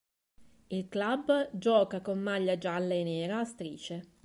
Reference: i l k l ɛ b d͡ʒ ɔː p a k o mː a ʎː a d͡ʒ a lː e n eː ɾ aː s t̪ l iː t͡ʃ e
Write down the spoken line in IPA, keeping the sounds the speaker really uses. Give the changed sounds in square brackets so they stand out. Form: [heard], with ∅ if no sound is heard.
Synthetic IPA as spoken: i l k l [a] b d͡ʒ ɔː [k] a k o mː a ʎː a d͡ʒ a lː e n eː ɾ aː s t̪ [ɾ] iː t͡ʃ e